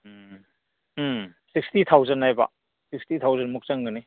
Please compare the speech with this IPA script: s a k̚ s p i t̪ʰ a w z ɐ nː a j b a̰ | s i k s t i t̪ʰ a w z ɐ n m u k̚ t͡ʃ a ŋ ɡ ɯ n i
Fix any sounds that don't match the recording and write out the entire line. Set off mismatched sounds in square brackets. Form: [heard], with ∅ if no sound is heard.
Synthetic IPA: s [i] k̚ s [t] i t̪ʰ a w z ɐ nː a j b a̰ | s i k s t i t̪ʰ a w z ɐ n m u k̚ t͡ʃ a ŋ ɡ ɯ n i